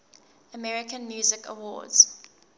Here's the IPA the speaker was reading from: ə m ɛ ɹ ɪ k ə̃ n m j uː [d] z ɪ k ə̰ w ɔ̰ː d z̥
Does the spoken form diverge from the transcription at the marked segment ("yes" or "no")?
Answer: yes